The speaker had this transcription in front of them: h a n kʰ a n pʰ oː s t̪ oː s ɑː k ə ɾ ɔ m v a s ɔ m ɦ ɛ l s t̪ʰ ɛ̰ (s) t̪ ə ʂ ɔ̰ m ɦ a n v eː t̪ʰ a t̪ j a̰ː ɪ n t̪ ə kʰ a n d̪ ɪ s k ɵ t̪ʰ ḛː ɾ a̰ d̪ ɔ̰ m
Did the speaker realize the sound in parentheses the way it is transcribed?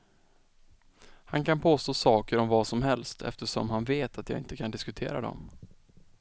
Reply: no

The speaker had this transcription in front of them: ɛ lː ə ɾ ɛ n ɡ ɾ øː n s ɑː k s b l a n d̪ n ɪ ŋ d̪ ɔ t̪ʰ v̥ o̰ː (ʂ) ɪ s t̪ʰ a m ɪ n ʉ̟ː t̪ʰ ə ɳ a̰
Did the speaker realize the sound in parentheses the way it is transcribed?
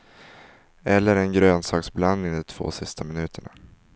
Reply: no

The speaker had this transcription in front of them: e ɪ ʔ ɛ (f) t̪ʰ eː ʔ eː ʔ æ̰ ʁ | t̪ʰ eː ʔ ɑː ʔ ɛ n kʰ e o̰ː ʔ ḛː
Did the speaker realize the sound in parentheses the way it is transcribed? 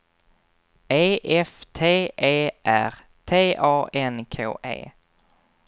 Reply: yes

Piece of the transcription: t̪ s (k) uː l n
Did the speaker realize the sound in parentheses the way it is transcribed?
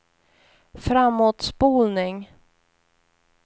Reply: no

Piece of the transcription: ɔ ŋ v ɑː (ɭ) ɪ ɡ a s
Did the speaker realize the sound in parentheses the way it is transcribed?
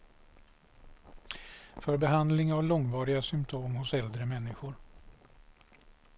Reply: no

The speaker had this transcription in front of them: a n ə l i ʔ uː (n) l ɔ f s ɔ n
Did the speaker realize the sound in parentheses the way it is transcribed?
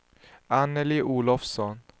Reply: no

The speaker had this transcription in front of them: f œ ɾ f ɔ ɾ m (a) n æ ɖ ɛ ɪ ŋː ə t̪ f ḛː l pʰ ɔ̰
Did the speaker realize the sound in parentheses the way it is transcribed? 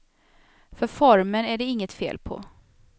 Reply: no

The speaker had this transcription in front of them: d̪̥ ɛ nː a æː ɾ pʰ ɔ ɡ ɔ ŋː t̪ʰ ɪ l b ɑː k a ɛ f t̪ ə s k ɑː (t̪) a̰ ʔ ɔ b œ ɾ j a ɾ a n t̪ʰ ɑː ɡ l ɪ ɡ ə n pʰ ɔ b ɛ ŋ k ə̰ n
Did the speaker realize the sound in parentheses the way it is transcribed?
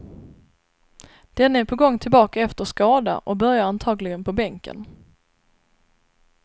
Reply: no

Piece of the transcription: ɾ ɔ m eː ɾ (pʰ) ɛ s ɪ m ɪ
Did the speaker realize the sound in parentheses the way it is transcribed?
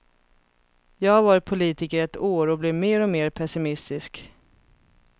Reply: yes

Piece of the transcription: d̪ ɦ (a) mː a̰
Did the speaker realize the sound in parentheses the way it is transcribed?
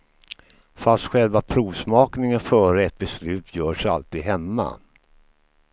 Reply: no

